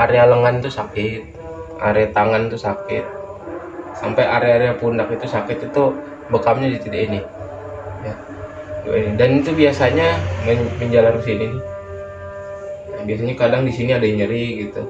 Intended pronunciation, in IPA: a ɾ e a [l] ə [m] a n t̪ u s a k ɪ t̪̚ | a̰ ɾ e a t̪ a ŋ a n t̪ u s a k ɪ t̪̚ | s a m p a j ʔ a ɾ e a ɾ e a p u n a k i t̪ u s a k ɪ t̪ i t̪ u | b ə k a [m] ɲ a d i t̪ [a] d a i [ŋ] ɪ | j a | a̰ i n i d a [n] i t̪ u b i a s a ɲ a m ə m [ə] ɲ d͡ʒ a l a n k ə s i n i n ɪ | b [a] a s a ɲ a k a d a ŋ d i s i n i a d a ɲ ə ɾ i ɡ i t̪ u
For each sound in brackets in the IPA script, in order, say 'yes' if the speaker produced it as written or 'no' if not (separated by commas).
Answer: yes, no, yes, no, no, yes, yes, no